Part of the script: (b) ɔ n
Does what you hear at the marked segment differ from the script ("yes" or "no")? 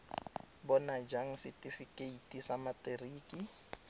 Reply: no